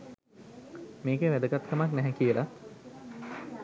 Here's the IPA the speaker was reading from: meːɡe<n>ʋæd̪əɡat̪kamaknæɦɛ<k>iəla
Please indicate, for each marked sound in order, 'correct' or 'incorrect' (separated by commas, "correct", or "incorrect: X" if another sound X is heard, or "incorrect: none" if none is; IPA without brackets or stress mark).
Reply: incorrect: none, correct